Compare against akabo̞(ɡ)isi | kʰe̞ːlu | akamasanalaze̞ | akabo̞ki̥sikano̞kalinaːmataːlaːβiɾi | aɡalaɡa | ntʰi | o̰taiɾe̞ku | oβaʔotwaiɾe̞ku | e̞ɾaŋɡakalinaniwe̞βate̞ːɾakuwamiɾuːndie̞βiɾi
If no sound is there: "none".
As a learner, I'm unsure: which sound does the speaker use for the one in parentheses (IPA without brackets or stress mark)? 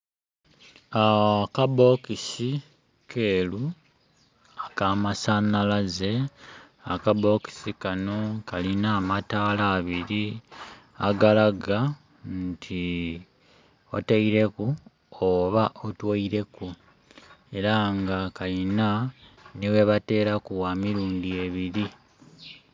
k